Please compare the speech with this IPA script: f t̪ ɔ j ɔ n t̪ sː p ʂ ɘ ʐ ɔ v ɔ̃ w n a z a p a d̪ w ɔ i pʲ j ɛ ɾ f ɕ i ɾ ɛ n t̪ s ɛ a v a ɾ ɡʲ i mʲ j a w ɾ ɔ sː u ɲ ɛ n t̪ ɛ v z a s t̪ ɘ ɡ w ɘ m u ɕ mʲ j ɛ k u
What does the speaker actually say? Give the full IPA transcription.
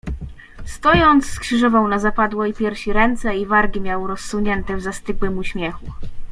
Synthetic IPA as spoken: s t̪ ɔ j ɔ n t̪ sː k ʂ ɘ ʐ ɔ v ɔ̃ w n a z a p a d̪ w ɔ i pʲ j ɛ ɾ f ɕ i ɾ ɛ n t̪ s ɛ i v a ɾ ɡʲ i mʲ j a w ɾ ɔ sː u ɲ ɛ n t̪ ɛ v z a s t̪ ɘ ɡ w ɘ m u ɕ mʲ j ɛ x u